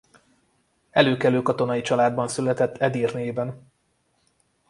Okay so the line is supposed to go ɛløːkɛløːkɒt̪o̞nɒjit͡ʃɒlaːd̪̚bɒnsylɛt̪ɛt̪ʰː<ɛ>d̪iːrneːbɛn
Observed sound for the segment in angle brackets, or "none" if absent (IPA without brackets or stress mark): ɛ